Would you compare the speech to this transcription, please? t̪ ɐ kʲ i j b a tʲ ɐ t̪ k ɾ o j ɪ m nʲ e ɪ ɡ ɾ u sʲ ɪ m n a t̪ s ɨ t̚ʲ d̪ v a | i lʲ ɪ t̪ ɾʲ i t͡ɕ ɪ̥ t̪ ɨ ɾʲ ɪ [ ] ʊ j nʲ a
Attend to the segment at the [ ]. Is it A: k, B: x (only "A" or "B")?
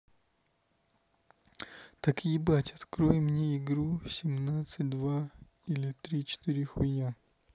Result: B